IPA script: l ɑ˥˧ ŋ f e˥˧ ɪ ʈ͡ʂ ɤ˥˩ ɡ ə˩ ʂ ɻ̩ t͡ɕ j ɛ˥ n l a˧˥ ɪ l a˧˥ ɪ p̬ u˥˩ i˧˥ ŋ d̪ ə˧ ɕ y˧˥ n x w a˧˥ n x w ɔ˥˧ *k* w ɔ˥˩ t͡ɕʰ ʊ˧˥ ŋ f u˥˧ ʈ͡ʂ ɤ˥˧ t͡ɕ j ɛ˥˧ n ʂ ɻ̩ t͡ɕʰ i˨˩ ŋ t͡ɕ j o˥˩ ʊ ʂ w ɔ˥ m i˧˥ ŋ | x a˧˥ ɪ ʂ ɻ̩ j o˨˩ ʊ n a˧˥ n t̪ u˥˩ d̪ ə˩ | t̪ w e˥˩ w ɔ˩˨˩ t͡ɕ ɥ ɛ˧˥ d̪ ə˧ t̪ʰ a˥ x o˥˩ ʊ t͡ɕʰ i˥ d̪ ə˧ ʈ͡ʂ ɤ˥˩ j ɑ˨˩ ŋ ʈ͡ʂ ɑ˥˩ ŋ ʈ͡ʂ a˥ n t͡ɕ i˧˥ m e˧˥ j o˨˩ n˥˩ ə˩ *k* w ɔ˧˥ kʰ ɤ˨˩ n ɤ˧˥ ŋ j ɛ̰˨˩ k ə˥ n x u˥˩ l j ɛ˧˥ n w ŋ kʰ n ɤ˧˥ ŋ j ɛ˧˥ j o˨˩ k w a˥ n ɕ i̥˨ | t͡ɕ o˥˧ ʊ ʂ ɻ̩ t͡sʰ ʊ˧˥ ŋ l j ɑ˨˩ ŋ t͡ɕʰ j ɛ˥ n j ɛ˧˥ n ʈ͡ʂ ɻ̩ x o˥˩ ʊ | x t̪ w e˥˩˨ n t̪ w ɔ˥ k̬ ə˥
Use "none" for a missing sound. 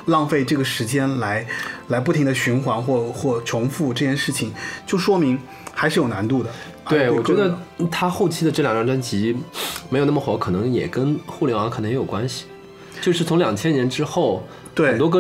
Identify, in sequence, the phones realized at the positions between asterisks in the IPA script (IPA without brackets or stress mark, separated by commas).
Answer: x, x